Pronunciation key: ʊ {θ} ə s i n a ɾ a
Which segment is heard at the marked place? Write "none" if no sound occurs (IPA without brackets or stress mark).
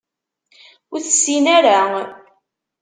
θ